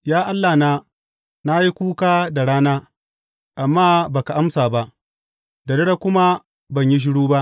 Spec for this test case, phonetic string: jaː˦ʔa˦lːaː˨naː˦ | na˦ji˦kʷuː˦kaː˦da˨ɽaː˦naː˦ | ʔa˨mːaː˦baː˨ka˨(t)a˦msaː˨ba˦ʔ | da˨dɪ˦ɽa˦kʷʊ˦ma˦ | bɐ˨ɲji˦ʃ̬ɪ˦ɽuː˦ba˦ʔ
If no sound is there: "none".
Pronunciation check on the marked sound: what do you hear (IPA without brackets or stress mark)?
ʔ